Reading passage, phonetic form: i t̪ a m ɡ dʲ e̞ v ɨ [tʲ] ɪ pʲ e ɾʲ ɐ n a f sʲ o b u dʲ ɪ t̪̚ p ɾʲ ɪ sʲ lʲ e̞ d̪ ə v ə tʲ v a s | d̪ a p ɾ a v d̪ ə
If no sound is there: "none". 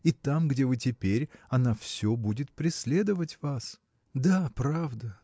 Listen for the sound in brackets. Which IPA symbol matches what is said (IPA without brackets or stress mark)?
tʲ